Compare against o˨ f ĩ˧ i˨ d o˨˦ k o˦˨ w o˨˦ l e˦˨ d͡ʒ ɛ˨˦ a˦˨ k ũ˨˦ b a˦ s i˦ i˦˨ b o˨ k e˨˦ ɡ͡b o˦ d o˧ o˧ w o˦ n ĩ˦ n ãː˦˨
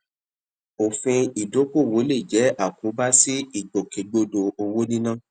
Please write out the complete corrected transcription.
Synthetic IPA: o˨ f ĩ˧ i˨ d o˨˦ k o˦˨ w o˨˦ l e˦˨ d͡ʒ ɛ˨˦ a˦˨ k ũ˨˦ b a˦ s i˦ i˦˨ ɡ͡b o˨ k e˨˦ ɡ͡b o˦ d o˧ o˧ w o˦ n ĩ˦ n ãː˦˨